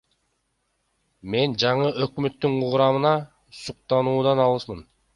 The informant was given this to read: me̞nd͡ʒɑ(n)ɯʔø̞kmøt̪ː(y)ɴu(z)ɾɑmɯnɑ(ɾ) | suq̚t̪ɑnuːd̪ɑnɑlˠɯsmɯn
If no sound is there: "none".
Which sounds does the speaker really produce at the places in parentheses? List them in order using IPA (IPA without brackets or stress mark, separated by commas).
ɴ, y, ʁ, none